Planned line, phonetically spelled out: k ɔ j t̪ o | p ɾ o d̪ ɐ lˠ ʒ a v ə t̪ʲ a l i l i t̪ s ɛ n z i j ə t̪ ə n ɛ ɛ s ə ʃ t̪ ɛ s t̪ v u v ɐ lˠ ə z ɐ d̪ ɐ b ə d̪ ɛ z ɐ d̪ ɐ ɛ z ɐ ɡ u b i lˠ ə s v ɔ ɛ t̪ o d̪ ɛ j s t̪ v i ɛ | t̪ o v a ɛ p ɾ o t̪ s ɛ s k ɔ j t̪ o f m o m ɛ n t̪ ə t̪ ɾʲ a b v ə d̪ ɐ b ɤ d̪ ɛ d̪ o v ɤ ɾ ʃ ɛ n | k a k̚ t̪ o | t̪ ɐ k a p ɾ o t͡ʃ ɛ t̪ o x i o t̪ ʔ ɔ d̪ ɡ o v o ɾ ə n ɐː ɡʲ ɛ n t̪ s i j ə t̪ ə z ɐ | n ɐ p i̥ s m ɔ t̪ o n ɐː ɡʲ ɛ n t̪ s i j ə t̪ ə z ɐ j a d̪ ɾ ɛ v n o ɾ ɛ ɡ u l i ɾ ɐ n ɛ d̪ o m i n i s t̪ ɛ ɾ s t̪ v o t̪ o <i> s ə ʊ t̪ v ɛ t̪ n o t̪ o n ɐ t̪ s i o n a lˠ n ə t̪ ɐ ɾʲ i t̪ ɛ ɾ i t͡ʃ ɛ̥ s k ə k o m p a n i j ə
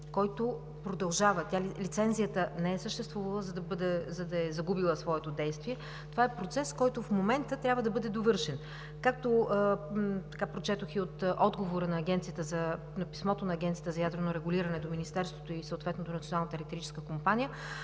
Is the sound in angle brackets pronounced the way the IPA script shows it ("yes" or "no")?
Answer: yes